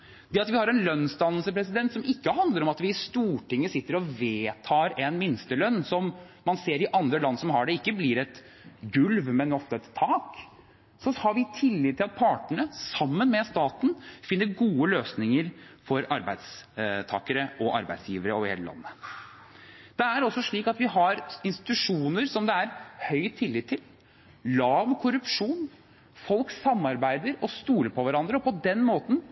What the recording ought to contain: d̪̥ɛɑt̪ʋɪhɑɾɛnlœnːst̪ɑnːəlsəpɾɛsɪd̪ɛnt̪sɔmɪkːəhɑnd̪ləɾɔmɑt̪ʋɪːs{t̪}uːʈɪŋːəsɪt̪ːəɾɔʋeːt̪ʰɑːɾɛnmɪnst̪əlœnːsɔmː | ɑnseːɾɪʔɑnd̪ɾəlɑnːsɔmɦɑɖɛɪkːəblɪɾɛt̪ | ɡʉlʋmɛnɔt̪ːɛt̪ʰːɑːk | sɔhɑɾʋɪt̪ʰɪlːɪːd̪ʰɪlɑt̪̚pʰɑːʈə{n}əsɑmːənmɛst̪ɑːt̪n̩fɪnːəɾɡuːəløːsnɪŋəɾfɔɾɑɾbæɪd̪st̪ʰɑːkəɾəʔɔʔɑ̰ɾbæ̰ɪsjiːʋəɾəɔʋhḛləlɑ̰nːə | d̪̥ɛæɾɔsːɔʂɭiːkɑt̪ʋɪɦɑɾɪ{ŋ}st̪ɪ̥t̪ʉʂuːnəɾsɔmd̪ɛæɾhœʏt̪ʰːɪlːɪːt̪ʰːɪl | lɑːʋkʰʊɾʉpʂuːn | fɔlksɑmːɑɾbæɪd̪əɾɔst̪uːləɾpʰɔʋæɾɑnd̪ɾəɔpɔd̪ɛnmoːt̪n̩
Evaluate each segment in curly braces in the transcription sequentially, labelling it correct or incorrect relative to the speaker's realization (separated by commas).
correct, incorrect, incorrect